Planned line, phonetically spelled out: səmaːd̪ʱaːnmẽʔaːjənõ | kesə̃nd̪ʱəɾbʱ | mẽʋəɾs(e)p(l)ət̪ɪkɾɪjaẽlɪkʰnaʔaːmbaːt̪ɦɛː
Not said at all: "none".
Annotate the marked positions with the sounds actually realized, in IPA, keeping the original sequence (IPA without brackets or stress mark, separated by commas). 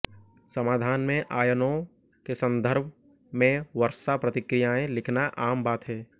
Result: a, ɾ